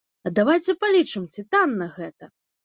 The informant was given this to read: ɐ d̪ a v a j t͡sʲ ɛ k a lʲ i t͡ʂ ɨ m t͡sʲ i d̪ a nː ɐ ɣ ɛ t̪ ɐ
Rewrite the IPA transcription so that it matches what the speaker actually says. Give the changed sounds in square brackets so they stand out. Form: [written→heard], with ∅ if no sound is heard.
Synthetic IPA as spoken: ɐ d̪ a v a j t͡sʲ ɛ [k→p] a lʲ i t͡ʂ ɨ m t͡sʲ i [d̪→t̪] a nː ɐ ɣ ɛ t̪ ɐ